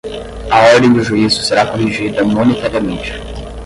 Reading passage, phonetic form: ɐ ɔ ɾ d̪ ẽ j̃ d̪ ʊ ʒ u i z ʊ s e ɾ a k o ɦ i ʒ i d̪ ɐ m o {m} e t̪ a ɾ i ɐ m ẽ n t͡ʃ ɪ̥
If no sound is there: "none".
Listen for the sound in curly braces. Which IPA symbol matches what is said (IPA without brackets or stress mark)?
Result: n